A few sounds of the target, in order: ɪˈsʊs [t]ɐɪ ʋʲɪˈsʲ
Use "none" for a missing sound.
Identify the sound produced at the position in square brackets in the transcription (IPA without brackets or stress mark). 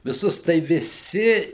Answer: t